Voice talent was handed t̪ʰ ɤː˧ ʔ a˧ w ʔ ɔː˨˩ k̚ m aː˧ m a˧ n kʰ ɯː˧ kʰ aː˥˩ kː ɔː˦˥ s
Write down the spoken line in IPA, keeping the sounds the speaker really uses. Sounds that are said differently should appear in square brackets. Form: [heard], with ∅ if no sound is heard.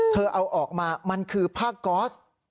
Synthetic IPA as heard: t̪ʰ ɤː˧ ʔ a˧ w ʔ ɔː˨˩ k̚ m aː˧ m a˧ n kʰ ɯː˧ [pʰ] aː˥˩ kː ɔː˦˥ s